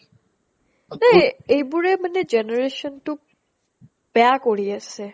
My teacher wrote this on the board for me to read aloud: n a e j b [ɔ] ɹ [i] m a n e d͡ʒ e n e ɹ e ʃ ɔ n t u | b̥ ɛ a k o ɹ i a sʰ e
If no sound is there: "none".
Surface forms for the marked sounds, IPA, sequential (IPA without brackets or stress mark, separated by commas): u, e